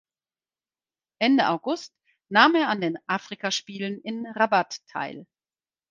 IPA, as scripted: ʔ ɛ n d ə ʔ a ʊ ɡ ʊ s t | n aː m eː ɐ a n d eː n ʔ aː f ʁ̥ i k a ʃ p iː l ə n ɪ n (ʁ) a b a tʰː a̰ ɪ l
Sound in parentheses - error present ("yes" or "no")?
no